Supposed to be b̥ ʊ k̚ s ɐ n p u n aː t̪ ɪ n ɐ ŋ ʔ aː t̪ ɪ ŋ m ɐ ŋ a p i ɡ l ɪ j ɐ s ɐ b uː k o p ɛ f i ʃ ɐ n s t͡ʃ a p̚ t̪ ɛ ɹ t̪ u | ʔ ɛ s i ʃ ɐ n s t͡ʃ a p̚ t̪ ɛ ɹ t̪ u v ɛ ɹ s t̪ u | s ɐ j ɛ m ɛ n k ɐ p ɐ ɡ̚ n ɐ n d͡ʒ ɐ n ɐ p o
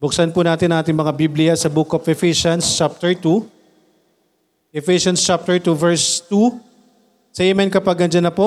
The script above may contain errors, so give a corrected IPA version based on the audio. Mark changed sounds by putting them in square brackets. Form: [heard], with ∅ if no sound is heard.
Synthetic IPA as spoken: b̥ ʊ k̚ s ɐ n p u n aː t̪ ɪ n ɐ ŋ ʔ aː t̪ ɪ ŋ m ɐ ŋ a [b] i [b] l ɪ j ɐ s ɐ b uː k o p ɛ f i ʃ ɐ n s t͡ʃ a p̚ t̪ ɛ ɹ t̪ u | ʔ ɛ [f] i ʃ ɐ n s t͡ʃ a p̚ t̪ ɛ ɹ t̪ u v ɛ ɹ s t̪ u | s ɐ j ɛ m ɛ n k ɐ p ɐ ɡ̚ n ɐ n d͡ʒ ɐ n ɐ p o